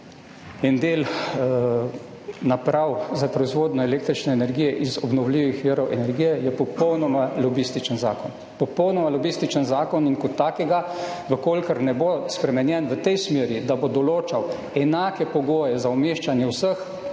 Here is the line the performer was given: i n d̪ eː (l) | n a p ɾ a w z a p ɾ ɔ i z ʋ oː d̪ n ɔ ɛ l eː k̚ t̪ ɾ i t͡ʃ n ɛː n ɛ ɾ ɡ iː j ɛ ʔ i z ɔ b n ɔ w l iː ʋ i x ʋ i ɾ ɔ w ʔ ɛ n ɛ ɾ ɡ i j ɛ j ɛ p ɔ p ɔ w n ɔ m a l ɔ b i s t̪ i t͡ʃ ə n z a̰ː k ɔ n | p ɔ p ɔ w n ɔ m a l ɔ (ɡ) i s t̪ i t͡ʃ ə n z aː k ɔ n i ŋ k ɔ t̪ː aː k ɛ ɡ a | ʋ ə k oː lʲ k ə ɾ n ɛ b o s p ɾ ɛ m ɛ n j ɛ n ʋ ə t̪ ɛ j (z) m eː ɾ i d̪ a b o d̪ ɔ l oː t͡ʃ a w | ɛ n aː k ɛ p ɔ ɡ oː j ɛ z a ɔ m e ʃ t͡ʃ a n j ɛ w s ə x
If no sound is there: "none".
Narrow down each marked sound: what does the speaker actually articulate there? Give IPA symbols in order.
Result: l, b, s

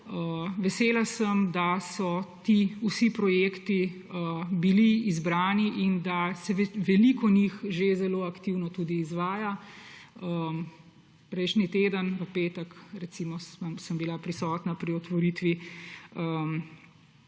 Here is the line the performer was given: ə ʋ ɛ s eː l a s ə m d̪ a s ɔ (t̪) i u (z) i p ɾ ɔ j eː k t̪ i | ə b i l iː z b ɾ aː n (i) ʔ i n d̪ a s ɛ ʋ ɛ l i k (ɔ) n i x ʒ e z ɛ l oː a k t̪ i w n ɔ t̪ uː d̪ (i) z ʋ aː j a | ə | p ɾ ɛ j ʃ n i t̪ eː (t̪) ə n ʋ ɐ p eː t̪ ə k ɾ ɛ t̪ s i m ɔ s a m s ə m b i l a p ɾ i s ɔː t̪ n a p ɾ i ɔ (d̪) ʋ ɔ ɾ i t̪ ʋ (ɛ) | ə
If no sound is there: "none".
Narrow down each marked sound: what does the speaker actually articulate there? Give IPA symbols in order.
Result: t̪, s, i, ɔ, iː, d̪, t̪, i

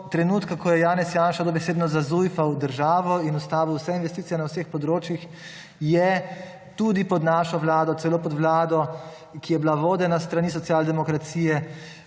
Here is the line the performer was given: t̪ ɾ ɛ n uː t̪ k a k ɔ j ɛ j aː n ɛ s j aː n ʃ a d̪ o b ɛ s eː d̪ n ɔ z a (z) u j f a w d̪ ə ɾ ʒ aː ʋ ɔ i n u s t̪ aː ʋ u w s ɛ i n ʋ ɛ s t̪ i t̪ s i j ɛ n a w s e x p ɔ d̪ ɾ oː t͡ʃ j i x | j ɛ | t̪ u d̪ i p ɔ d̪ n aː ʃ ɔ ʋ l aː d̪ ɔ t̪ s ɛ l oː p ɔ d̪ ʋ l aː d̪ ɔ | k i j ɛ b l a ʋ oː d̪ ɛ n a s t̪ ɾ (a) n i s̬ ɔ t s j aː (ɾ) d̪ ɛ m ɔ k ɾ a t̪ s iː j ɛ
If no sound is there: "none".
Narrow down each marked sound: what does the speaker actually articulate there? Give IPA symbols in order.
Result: z, a, l

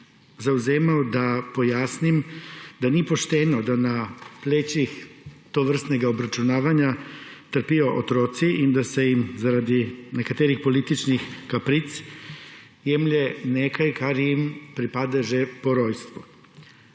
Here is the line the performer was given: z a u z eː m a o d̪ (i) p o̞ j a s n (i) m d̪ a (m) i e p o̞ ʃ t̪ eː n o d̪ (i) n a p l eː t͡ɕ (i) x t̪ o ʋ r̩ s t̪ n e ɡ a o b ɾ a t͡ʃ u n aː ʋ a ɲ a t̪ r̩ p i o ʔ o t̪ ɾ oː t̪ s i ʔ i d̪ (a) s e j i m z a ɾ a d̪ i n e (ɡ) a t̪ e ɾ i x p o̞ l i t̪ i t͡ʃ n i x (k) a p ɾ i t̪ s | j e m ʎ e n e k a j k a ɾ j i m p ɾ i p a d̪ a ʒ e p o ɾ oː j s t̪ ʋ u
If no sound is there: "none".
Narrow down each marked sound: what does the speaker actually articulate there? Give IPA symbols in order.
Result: a, i, n, a, i, a, k, k

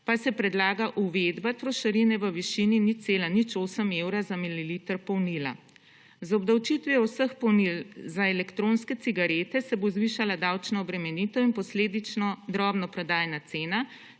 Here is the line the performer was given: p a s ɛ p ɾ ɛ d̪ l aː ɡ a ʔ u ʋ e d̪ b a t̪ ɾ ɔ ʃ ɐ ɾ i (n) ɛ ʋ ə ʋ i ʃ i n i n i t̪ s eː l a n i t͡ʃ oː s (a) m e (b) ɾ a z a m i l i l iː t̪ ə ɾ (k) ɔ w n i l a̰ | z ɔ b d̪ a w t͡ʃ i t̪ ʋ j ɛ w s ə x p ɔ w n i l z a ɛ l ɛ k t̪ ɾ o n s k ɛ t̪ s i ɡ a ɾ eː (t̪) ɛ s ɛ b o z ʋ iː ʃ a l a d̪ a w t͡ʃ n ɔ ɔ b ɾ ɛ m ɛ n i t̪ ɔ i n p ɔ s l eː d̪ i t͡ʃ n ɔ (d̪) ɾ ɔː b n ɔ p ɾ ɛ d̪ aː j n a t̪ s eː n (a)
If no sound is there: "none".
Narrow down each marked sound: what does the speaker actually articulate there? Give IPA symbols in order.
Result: n, ə, w, p, t̪, d̪, a

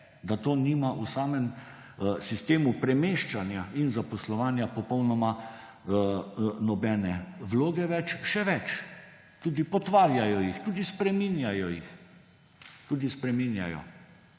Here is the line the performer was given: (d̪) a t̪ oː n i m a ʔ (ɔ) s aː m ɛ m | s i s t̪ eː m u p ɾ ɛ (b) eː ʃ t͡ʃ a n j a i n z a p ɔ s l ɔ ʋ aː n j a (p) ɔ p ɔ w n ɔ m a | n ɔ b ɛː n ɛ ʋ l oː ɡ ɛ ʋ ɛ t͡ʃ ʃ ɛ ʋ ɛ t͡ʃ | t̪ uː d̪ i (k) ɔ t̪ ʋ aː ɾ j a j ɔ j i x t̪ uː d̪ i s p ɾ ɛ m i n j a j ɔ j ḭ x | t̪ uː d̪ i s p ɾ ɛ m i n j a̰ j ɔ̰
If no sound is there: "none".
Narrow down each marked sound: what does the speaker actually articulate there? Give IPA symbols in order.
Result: d̪, u, m, p, p

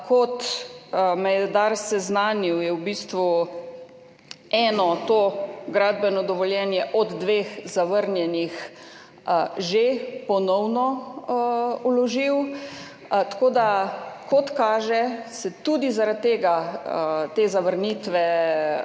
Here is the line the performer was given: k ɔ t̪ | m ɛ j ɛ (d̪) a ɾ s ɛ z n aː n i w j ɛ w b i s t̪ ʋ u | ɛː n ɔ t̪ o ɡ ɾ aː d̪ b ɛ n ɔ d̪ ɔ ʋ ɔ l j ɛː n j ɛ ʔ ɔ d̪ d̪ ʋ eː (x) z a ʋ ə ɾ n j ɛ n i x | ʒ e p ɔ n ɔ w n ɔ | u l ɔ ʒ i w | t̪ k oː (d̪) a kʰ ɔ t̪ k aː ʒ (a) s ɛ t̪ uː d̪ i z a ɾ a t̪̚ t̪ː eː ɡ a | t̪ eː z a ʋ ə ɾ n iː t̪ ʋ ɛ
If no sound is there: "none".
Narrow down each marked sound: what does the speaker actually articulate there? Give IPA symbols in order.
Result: d̪, x, d̪, ɛ

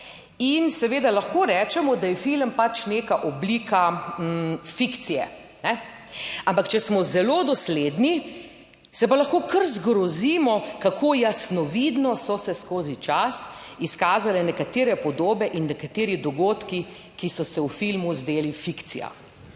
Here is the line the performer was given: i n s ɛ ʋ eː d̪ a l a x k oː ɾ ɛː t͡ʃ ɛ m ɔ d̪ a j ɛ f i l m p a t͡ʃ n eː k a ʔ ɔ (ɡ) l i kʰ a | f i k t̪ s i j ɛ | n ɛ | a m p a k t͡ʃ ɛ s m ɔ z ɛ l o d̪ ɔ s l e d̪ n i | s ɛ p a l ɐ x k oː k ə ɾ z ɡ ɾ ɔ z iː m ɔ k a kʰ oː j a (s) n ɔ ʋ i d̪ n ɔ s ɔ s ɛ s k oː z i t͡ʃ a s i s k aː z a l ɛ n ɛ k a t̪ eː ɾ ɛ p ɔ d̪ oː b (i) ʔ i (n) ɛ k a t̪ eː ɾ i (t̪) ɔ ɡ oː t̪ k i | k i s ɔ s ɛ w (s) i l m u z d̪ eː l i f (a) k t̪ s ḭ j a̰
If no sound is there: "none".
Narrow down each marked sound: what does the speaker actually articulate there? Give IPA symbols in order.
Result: b, s, ɛ, nː, d̪, f, i

